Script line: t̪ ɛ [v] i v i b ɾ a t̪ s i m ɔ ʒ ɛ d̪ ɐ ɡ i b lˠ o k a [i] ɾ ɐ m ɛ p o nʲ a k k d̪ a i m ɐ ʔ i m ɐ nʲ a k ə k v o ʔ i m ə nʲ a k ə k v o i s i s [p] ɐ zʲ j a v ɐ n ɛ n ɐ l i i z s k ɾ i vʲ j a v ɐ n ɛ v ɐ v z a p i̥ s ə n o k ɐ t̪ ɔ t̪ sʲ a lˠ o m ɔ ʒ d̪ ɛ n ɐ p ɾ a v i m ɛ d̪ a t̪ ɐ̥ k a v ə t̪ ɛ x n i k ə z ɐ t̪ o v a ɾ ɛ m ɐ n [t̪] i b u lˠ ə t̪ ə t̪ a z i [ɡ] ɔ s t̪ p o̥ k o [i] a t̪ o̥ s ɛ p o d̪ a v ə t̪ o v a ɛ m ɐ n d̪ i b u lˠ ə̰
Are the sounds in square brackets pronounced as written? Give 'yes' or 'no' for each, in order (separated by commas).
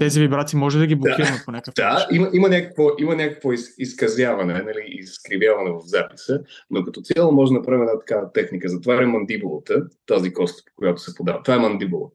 no, yes, no, no, no, no